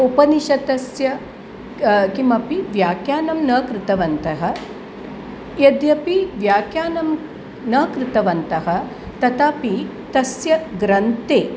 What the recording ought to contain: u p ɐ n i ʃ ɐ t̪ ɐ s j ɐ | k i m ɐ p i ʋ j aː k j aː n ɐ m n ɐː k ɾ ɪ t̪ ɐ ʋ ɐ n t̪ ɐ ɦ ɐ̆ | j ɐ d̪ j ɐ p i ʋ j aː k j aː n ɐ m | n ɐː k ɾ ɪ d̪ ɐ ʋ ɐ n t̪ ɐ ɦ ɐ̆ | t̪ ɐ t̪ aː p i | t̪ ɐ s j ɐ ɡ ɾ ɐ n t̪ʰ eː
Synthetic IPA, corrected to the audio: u p ɐ n i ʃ ɐ t̪ ɐ s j ɐ | k i m ɐ p i ʋ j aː k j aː n ɐ m n ɐː k ɾ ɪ t̪ ɐ ʋ ɐ n t̪ ɐ ɦ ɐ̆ | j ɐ d̪ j ɐ p i ʋ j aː k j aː n ɐ m | n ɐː k ɾ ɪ t̪ ɐ ʋ ɐ n t̪ ɐ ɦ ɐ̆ | t̪ ɐ t̪ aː p i | t̪ ɐ s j ɐ ɡ ɾ ɐ n t̪ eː